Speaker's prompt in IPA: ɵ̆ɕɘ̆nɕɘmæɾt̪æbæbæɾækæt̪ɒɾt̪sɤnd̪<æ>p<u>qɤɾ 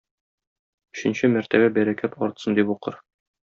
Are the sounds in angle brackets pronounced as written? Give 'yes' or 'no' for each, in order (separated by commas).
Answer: no, yes